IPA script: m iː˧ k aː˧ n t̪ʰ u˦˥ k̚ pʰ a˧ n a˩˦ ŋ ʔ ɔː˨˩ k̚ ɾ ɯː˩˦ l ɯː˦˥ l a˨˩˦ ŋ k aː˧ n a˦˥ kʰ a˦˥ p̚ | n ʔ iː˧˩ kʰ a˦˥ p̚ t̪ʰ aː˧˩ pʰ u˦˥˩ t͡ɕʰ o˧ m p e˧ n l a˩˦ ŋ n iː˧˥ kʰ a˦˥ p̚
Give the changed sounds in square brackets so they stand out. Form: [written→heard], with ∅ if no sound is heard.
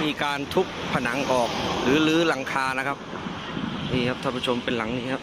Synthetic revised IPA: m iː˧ k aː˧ n t̪ʰ u˦˥ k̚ pʰ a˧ n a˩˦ ŋ ʔ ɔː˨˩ k̚ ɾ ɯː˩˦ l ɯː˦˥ l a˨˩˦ ŋ [k→kʰ] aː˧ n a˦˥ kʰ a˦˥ p̚ | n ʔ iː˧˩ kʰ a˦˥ p̚ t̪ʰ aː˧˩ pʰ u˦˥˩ t͡ɕʰ o˧ m p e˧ n l a˩˦ ŋ n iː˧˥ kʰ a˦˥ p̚